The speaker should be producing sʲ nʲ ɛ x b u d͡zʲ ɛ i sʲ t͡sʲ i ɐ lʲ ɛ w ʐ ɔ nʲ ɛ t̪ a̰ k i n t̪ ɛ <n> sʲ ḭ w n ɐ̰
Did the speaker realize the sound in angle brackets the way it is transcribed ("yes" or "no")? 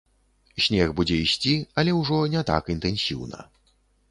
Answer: yes